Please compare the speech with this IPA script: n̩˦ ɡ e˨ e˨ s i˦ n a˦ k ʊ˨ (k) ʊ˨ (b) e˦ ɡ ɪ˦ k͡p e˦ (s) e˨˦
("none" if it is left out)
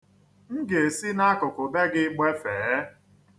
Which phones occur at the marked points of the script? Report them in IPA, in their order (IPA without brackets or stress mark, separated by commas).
k, b, f